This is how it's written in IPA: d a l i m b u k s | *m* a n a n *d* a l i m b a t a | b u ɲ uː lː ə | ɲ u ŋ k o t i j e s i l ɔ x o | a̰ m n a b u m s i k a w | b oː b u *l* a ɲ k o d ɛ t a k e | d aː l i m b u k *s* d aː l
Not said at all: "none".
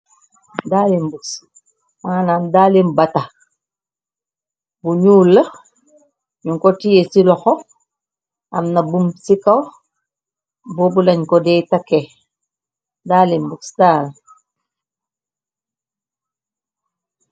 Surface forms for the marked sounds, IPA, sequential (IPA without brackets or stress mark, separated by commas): m, d, l, s